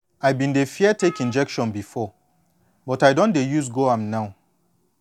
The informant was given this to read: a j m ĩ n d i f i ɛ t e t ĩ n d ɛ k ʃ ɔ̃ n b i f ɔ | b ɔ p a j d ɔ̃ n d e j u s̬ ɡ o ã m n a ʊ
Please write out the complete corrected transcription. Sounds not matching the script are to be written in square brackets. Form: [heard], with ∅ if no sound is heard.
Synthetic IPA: a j [b] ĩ n d [e] f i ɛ t e [k] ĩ n [d͡ʒ] ɛ k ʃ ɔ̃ n b i f ɔ | b ɔ [t] a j d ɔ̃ n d e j u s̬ ɡ o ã m n a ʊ